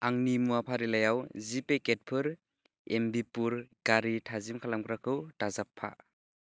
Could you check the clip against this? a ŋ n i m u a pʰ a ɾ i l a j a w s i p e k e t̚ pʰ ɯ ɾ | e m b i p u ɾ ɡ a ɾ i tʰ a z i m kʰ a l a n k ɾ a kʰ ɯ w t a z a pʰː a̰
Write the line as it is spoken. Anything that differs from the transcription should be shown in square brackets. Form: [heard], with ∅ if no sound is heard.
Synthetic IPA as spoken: a ŋ n i m u a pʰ a ɾ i l a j a w [z] i p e k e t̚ pʰ ɯ ɾ | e m b i p u ɾ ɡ a ɾ i tʰ a z i m kʰ a l a [m] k ɾ a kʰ ɯ w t a z a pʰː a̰